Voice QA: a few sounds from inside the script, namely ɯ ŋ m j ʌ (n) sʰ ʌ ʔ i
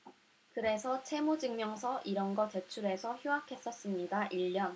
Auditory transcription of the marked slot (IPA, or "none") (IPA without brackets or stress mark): ŋ